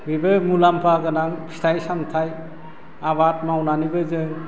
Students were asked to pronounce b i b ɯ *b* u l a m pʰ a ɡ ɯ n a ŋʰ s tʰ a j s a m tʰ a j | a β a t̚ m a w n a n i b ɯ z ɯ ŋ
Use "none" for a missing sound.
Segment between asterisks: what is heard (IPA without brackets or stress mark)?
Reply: m